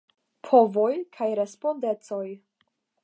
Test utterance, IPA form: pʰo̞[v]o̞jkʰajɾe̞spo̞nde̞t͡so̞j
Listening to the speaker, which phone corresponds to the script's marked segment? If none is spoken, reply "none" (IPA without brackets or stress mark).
v